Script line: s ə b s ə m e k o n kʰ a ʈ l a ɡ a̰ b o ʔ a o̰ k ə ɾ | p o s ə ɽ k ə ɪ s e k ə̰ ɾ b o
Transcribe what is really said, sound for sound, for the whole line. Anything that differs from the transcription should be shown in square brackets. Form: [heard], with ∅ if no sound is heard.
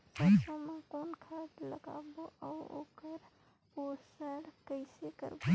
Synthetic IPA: s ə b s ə m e k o n kʰ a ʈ l [ə] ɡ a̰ b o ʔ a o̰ k ə ɾ | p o s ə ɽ k ə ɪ s e k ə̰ ɾ b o